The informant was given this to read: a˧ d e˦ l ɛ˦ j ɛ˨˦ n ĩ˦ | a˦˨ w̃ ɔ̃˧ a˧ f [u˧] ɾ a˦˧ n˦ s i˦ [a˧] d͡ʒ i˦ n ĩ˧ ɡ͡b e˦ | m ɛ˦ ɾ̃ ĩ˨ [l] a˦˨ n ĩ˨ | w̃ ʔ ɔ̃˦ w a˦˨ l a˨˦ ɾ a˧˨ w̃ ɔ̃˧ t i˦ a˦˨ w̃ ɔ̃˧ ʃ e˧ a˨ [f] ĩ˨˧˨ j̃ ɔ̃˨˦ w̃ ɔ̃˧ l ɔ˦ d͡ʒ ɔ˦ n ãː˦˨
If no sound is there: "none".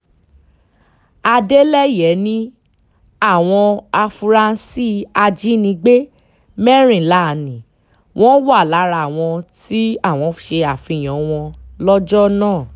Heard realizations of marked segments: u˧, a˧, l, f

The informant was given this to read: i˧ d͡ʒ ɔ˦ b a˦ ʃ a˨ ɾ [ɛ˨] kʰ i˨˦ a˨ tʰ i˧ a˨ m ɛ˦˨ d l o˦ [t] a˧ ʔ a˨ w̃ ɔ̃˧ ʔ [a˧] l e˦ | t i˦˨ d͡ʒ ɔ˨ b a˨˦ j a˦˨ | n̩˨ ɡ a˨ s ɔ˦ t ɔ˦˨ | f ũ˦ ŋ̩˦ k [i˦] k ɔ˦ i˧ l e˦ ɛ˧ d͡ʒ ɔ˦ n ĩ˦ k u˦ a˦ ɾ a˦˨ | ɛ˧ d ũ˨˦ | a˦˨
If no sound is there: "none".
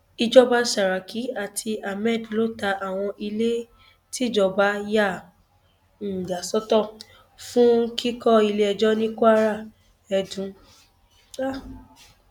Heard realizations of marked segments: a˨, t, i˧, i˦

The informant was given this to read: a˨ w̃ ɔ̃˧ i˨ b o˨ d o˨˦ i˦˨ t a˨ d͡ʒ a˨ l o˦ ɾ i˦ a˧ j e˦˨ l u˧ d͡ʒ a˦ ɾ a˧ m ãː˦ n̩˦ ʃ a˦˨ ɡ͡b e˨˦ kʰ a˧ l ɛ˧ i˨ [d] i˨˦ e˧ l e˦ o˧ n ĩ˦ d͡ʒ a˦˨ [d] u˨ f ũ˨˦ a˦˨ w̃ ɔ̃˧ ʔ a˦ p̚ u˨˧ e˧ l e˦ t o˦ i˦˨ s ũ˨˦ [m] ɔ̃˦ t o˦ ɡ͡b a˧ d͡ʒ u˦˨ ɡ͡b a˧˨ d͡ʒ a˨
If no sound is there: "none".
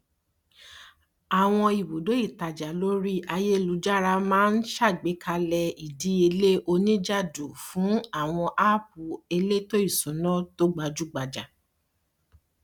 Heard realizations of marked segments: d, d, n

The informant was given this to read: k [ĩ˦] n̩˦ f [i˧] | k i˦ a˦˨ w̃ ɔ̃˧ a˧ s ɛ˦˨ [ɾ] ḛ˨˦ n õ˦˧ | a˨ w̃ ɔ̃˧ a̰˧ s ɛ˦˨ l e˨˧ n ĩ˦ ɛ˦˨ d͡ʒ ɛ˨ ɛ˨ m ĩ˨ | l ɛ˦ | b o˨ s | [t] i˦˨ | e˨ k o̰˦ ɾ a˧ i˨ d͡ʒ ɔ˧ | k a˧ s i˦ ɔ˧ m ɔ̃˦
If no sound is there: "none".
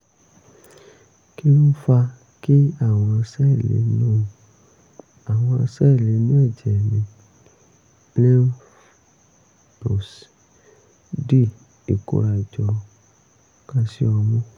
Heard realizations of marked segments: i˦, a˧, l, d

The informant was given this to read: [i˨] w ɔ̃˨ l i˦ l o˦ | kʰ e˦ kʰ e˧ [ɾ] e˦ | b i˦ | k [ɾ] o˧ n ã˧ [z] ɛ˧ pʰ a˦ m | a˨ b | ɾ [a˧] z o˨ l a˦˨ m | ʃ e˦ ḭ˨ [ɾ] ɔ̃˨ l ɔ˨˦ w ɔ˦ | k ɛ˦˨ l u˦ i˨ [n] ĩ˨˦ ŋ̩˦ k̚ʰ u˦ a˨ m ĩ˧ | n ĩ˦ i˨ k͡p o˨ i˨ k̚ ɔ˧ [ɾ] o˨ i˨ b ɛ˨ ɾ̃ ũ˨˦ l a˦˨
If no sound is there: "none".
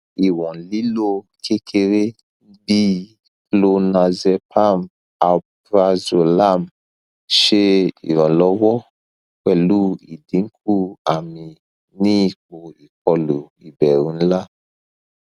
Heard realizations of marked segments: i˨, ɾ, l, z, a˧, ɾ, d, l

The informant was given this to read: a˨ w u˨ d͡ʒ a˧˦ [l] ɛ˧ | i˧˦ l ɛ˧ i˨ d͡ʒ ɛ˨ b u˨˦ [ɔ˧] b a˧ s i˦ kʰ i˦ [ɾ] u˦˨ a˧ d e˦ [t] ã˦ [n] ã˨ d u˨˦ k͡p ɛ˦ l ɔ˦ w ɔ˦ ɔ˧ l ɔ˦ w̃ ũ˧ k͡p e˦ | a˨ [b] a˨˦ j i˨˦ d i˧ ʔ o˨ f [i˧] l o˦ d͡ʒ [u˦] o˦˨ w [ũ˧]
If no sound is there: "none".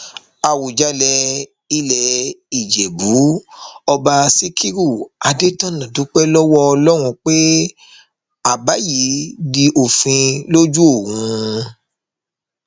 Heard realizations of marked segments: l, ɔ˧, ɾ, t, n, b, ĩ˧, u˦, ũ˧

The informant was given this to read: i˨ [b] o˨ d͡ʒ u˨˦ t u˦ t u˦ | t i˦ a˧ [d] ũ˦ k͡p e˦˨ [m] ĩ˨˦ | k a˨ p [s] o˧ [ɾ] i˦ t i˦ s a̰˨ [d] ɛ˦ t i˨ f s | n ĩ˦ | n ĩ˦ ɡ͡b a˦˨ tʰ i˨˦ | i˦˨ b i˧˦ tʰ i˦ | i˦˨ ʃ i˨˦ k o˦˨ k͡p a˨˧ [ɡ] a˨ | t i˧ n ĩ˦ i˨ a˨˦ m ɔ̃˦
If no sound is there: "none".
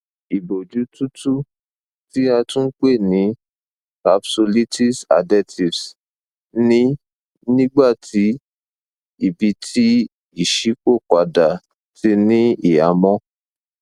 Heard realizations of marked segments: b, t, n, s, l, d, d

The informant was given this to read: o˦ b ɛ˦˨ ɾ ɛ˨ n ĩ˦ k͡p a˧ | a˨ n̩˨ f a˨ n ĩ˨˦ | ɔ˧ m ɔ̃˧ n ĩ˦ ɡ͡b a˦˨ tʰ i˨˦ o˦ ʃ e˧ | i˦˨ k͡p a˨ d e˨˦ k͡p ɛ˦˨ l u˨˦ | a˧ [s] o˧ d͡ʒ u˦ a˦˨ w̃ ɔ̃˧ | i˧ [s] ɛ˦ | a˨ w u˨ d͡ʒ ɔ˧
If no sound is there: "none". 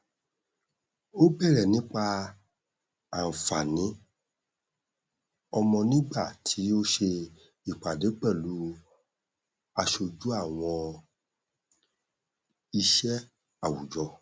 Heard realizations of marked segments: ʃ, ʃ

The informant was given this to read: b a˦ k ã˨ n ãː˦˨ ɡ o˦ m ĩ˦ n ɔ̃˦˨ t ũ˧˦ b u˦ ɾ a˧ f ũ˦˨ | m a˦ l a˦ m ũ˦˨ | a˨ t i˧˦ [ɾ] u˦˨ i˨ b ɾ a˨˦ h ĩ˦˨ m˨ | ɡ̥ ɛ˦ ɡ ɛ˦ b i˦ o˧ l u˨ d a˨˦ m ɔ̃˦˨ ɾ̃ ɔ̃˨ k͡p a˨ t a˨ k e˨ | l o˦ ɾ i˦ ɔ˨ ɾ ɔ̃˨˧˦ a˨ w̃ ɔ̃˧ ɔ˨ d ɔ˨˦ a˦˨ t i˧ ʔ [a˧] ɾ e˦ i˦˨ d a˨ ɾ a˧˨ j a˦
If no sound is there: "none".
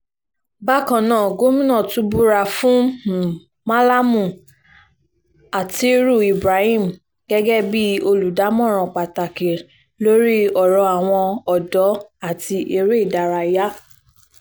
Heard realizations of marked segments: ɾ, e˧

